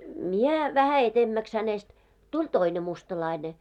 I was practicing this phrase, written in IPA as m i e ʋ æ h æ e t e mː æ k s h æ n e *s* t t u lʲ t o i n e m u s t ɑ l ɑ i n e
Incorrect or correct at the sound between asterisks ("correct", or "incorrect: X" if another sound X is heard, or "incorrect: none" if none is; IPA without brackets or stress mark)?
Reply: correct